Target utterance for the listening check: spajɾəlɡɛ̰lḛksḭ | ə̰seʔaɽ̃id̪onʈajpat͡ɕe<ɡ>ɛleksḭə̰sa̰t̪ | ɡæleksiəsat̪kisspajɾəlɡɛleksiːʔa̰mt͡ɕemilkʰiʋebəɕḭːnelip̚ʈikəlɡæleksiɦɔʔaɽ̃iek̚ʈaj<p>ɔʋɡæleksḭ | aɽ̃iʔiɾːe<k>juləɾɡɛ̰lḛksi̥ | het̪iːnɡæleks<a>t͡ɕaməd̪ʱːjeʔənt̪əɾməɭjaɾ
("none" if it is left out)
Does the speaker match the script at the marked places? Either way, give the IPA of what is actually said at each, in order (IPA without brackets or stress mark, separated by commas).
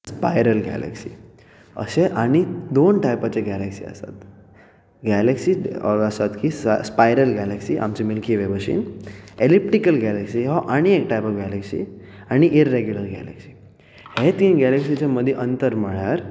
ɡ, p, ɡ, i